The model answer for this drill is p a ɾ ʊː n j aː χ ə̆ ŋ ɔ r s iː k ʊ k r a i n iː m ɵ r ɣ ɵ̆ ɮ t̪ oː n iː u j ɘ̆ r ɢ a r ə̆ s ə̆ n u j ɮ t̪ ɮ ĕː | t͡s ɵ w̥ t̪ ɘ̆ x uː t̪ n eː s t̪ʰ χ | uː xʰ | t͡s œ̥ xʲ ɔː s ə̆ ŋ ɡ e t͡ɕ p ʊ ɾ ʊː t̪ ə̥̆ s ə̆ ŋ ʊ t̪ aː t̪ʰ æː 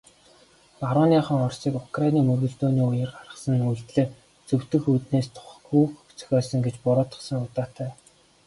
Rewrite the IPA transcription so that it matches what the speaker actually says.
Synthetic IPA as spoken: p a ɾ ʊː n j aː χ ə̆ ŋ ɔ r s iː k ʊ k r a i n iː m ɵ r ɣ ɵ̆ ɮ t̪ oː n iː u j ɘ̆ r ɢ a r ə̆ s ə̆ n u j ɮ t̪ ɮ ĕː | t͡s ɵ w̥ t̪ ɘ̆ x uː t̪ n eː s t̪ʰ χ | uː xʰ | t͡s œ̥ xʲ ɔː s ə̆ ŋ ɡ e t͡ɕ p ʊ ɾ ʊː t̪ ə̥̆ s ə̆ ŋ ʊ t̪ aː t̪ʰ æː

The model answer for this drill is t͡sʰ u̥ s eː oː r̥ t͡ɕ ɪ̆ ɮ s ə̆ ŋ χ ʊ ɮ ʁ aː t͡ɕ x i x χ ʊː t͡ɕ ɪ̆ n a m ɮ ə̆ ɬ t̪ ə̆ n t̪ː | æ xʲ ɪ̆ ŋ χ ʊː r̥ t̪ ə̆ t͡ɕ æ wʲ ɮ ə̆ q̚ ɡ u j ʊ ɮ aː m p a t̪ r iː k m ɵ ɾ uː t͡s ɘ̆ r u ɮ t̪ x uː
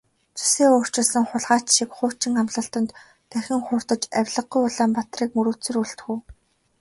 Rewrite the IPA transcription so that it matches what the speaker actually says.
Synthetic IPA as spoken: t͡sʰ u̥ s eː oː r̥ t͡ɕ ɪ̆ ɮ s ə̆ ŋ χ ʊ ɮ ʁ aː t͡ɕ ʃ i k χ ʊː t͡ɕ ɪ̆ ŋ a m ɮ ə̆ ɬ t̪ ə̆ n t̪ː | æ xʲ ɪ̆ ŋ χ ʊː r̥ t̪ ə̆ t͡ɕ æ wʲ ɮ ə̆ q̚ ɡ u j ʊ ɮ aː m p a t̪ r iː k m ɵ ɾ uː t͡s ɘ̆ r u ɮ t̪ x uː

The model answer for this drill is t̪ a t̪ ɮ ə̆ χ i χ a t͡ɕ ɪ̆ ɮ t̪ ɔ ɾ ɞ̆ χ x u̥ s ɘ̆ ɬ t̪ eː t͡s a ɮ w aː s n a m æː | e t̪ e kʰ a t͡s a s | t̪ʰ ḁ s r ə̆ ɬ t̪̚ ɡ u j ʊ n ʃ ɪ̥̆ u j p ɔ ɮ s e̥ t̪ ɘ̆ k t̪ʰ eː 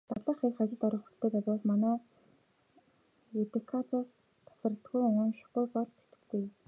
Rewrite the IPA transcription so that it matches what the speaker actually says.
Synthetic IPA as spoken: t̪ a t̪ ɮ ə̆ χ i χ a t͡ɕ ɪ̆ ɮ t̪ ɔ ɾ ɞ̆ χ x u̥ s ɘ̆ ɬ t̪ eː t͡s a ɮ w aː s m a n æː | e t̪ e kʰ a t͡s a s | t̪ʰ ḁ s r ə̆ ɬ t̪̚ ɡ u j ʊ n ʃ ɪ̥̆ u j p ɔ ɮ s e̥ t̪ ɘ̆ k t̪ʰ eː

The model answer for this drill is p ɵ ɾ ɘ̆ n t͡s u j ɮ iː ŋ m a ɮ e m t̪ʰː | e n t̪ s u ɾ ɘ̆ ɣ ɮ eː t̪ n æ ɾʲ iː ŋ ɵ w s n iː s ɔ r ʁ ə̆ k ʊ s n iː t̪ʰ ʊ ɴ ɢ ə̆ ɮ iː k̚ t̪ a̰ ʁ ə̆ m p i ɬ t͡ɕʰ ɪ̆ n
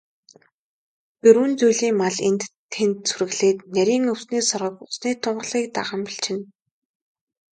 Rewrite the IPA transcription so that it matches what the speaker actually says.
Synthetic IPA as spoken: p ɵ ɾ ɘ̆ n t͡s u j ɮ iː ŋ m a ɮ e n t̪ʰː | e n t̪ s u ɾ ɘ̆ ɣ ɮ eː t̪ n æ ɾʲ iː ŋ ɵ w s n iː s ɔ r ʁ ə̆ k ʊ s n iː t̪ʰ ʊ ɴ ɢ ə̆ ɮ iː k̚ t̪ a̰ ʁ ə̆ m p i ɬ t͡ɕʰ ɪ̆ n

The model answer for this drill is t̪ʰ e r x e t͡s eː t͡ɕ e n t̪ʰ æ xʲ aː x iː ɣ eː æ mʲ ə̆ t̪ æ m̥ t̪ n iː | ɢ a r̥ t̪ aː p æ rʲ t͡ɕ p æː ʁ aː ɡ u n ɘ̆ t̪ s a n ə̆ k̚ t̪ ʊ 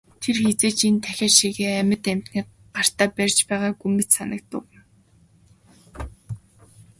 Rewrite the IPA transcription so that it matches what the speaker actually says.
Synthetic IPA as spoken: t̪ʰ e r x e t͡s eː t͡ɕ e n t̪ʰ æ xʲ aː ʃ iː ɣ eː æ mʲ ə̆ t̪ æ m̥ t̪ n iː | ɢ a r̥ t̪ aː p æ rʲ t͡ɕ p æː ʁ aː ɡ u m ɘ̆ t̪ s a n ə̆ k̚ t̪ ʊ

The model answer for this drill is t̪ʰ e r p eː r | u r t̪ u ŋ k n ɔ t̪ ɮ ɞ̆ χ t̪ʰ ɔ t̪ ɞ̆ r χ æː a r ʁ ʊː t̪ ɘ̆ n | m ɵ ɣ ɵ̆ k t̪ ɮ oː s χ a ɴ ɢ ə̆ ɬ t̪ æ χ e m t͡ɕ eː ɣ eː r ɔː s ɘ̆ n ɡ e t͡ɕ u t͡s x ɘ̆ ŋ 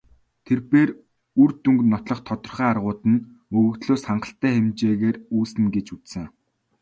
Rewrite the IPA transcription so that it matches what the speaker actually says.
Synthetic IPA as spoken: t̪ʰ e r p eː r | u r t̪ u ŋ k n ɔ t̪ ɮ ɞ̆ χ t̪ʰ ɔ t̪ ɞ̆ r χ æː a r ʁ ʊː t̪ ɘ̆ n | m ɵ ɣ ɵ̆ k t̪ ɮ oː s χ a ɴ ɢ ə̆ ɬ t̪ æː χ e m t͡ɕ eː ɣ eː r uː s ɘ̆ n ɡ e t͡ɕ u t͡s s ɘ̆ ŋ

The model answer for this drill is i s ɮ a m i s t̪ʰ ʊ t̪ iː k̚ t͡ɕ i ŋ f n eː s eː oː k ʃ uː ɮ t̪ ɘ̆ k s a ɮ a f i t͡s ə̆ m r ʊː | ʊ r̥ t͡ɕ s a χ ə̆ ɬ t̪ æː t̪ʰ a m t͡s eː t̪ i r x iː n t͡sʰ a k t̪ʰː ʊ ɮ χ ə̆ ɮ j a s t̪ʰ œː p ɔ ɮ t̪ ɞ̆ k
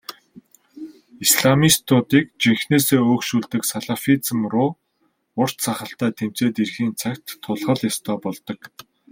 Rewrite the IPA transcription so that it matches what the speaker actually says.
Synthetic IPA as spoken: i s ɮ a m i s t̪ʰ ʊ t̪ iː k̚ t͡ɕ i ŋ x n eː s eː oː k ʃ uː ɮ t̪ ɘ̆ k s a ɮ a f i t͡s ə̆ m r ʊː | ʊ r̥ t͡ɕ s a χ ə̆ ɬ t̪ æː t̪ʰ e m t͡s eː t̪ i r x iː n t͡sʰ a k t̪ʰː ʊ ɮ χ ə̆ ɮ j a s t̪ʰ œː p ɔ ɮ t̪ ɞ̆ k

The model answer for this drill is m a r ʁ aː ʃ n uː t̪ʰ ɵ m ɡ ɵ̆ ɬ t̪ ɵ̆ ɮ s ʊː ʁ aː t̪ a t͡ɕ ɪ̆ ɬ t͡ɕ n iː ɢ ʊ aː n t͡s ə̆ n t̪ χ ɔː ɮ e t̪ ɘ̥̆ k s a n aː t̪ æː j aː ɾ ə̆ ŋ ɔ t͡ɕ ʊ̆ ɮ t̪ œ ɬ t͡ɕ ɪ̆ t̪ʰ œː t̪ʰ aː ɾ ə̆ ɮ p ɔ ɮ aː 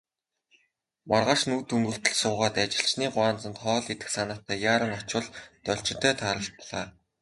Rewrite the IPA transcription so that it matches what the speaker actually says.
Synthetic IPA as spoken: m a r ʁ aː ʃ n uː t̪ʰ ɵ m ɡ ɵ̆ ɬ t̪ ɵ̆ ɮ s ʊː ʁ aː t̪ a t͡ɕ ɪ̆ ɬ t͡ɕ n iː ɢ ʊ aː n t͡s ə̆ n t̪ χ ɔː ɮ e t̪ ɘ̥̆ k s a n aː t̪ æː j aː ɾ ə̆ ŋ ɔ t͡ɕ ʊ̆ ɮ t̪ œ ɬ t͡ɕ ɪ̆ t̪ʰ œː t̪ʰ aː ɾ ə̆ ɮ p ɔ ɮ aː

